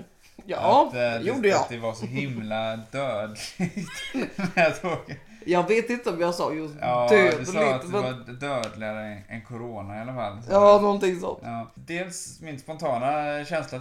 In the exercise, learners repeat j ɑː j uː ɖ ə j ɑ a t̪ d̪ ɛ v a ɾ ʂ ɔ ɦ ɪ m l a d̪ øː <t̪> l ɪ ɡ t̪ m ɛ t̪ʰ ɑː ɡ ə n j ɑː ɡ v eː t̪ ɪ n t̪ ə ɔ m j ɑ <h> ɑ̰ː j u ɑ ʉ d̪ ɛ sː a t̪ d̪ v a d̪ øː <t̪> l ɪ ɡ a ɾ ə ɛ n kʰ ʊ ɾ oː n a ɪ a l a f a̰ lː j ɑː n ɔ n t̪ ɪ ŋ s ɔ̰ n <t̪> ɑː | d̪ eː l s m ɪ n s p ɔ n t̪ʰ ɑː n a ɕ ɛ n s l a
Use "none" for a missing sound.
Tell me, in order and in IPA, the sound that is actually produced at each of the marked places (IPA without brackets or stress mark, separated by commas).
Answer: d̪, s, d̪, t̪